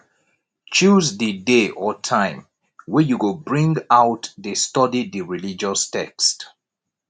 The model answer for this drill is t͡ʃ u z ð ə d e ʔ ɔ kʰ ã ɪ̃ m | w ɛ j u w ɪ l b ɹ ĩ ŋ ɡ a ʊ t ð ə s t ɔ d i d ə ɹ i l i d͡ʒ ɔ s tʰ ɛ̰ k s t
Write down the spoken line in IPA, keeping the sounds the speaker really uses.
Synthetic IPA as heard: t͡ʃ u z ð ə d e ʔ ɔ tʰ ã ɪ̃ m | w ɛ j u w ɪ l b ɹ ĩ ŋ ɡ a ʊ t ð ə s t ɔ d i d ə ɹ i l i d͡ʒ ɔ s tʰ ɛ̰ k s t